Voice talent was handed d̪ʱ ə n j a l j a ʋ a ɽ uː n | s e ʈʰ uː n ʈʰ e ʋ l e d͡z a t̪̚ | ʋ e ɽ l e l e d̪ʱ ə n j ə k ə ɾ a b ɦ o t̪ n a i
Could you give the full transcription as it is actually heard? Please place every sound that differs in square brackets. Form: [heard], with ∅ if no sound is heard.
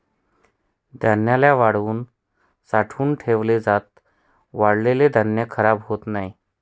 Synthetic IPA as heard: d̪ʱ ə n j a l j a ʋ a ɽ uː n | s [a] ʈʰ uː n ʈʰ e ʋ l e d͡z a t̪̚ | ʋ [a] ɽ l e l e d̪ʱ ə n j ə [kʰ] ə ɾ a b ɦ o t̪ n a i